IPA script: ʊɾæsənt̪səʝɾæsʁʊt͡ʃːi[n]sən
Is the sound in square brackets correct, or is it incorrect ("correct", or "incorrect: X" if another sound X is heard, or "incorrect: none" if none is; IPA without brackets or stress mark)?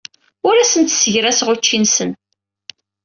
correct